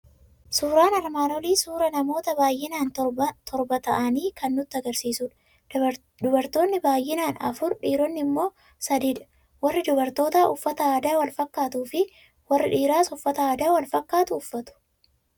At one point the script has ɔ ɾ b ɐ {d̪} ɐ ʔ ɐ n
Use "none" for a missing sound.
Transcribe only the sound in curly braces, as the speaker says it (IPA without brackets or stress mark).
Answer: t̪